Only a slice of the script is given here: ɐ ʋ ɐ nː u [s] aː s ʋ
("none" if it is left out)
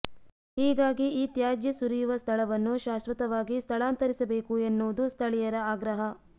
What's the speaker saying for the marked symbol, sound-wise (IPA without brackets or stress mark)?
ʃ